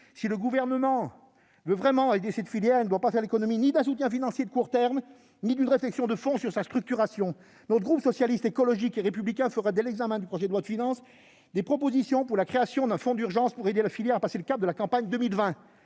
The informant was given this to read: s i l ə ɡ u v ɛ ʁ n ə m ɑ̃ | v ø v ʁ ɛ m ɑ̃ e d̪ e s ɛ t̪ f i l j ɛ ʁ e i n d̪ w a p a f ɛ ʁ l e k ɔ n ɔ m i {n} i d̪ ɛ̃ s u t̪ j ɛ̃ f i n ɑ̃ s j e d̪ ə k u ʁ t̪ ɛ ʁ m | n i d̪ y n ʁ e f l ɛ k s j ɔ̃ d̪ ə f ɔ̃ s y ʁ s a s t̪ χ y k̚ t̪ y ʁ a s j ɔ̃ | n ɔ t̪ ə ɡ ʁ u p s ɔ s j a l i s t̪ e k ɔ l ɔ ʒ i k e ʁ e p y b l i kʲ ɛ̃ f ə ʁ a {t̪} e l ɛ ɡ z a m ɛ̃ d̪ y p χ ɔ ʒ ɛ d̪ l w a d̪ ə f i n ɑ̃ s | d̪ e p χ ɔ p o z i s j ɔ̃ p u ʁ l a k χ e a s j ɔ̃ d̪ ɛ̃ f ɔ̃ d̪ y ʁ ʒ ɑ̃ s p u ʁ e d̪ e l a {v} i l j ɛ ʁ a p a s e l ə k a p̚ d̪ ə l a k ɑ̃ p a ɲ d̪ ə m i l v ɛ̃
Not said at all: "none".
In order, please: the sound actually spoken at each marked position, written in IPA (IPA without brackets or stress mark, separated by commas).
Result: n, d̪, f